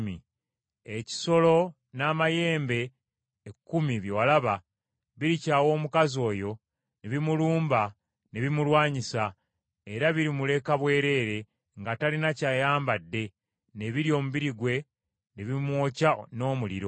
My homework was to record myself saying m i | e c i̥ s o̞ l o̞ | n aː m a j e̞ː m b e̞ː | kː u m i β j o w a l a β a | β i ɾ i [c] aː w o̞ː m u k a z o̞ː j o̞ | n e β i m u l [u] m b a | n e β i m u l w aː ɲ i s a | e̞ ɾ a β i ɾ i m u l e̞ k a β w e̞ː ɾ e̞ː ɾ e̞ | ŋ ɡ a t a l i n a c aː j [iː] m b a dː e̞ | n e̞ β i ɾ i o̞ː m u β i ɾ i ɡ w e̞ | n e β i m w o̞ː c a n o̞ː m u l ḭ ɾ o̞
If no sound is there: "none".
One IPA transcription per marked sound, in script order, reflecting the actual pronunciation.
c, uː, aː

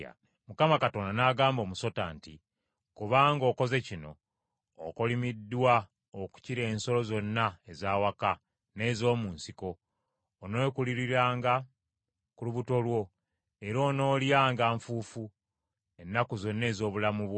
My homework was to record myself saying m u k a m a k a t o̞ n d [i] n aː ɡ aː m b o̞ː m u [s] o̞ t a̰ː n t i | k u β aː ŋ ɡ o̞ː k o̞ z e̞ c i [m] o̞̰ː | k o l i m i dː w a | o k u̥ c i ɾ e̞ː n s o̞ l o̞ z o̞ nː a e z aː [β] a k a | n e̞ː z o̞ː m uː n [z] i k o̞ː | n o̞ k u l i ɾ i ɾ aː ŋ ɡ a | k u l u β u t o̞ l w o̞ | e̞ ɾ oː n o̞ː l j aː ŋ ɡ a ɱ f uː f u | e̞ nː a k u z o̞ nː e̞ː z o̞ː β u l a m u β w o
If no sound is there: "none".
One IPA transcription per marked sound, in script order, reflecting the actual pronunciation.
a, s, n, w, s

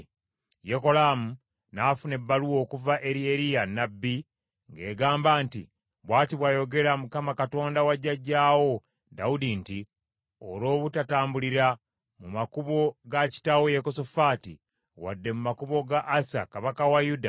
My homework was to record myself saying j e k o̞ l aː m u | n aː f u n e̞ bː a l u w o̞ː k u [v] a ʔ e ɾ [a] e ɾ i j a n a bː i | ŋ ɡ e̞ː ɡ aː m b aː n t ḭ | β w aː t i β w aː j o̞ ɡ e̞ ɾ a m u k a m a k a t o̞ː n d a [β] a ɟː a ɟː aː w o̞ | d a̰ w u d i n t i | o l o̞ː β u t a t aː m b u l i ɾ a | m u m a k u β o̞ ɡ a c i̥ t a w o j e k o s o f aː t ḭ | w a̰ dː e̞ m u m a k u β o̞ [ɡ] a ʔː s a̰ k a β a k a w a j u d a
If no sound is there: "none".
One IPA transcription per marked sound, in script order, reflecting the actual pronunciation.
v, i, w, ɡ

